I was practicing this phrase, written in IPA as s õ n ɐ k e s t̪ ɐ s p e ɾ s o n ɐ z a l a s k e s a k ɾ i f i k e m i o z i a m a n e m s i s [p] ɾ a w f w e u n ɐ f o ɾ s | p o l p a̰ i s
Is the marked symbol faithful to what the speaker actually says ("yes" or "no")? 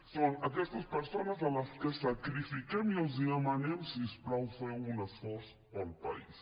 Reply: yes